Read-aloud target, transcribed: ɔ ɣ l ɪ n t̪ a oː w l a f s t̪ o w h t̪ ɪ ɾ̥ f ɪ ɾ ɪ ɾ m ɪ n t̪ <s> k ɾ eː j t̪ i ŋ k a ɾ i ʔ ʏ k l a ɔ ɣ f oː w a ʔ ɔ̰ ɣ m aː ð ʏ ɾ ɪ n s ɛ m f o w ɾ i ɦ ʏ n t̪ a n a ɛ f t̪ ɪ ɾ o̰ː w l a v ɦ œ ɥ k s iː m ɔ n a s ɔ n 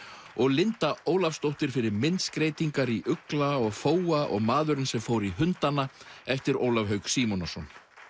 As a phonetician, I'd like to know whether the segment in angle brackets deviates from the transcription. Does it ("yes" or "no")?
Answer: no